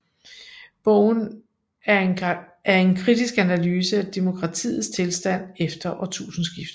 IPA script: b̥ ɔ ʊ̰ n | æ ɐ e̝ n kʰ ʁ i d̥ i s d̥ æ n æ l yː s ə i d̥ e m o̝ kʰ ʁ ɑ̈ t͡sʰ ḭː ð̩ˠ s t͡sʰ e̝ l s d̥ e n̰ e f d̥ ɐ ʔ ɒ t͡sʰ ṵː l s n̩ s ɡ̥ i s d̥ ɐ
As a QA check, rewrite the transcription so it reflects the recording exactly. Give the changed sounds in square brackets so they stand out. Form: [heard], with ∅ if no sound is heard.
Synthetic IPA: b̥ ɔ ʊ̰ n | æ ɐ e̝ n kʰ ʁ i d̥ i s [ɡ̥] æ n æ l yː s ə [æ] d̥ e m o̝ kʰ ʁ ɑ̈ t͡sʰ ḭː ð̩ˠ s t͡sʰ e̝ l s d̥ [æ] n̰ e f d̥ ɐ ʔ ɒ t͡sʰ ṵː [∅] s n̩ s ɡ̥ i [f] d̥ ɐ

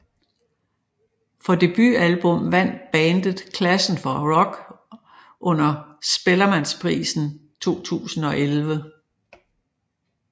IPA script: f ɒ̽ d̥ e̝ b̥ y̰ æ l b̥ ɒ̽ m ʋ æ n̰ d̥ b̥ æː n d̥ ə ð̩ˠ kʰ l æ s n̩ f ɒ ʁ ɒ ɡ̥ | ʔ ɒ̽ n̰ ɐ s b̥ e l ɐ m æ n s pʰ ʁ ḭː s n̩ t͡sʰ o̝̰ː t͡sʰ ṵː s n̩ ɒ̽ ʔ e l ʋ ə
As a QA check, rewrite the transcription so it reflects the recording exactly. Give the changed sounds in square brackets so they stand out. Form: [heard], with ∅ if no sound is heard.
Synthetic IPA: f ɒ̽ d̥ e̝ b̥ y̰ æ l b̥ [ɔ̽] m ʋ æ n̰ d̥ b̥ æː n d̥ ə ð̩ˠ kʰ l æ s n̩ f ɒ ʁ ɒ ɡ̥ | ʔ [ɔ̽] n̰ ɐ s b̥ e l ɐ m æ n s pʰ ʁ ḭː s n̩ t͡sʰ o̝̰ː t͡sʰ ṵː s n̩ ɒ̽ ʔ e l ʋ ə

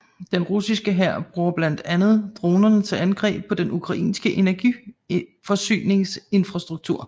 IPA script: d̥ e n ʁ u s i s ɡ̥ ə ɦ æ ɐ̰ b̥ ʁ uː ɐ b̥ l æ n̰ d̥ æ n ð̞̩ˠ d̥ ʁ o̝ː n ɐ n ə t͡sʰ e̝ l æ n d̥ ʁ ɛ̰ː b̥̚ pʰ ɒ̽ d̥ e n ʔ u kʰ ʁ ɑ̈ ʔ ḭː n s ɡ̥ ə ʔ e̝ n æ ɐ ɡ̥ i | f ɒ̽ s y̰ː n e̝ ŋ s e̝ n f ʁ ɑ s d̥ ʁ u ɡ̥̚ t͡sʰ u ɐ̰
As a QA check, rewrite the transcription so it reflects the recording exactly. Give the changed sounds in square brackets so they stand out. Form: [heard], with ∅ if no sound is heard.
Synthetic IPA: d̥ e n ʁ u s i s ɡ̥ ə ɦ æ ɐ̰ b̥ ʁ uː ɐ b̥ l æ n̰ d̥ æ n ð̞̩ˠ d̥ ʁ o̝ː n ɐ n ə t͡sʰ e̝ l æ n [ɡ̥] ʁ ɛ̰ː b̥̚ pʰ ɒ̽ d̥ e n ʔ u kʰ ʁ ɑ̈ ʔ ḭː n s ɡ̥ ə ʔ e̝ n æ ɐ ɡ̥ i | f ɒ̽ s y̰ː n e̝ ŋ s e̝ n f ʁ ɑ s d̥ ʁ u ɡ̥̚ t͡sʰ u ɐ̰

